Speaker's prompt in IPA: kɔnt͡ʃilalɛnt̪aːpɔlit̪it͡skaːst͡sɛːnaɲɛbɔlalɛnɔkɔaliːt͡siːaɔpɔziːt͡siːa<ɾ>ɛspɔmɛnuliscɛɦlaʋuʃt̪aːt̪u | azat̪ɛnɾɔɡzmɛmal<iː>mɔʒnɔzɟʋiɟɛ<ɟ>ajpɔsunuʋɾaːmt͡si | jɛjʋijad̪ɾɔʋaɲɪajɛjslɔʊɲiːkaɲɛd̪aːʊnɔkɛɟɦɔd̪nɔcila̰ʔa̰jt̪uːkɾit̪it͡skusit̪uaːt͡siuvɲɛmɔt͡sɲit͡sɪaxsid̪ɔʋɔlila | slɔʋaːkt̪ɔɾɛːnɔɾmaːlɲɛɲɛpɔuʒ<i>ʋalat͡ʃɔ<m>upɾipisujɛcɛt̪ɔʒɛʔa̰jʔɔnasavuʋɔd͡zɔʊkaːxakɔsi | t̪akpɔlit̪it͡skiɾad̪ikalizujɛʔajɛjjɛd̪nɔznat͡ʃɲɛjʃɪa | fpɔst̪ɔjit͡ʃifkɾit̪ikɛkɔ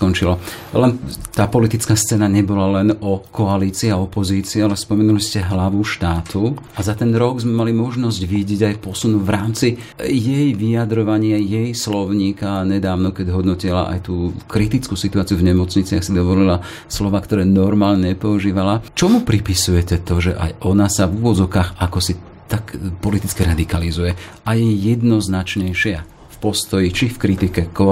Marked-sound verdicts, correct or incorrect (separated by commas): incorrect, incorrect, correct, incorrect, correct